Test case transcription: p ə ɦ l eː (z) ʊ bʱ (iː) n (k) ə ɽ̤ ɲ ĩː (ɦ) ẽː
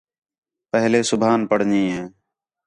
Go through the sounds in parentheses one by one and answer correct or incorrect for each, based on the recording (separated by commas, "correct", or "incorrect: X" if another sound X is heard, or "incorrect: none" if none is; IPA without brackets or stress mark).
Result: incorrect: s, incorrect: aː, incorrect: p, correct